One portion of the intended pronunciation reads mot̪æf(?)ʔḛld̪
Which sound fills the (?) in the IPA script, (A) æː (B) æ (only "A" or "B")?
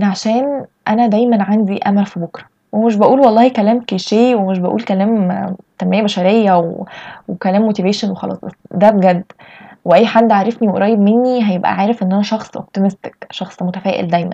A